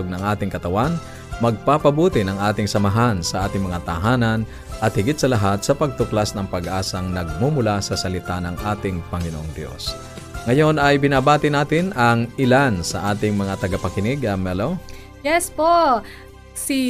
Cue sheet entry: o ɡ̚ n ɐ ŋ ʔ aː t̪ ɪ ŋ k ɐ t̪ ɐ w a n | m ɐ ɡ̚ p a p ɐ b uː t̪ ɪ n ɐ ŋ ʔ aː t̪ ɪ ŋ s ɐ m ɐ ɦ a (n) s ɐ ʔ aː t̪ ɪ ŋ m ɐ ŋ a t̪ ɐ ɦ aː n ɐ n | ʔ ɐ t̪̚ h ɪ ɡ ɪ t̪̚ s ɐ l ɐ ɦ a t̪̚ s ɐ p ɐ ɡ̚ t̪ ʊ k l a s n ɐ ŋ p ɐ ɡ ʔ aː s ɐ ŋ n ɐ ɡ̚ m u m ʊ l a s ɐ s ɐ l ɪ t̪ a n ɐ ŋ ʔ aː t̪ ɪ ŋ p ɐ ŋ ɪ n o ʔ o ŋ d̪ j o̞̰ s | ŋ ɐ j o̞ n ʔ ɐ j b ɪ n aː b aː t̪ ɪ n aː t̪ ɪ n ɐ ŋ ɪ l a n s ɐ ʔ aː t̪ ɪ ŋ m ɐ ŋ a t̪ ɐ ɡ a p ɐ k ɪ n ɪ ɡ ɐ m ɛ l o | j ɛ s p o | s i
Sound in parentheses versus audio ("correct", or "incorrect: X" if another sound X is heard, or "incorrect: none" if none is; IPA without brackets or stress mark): correct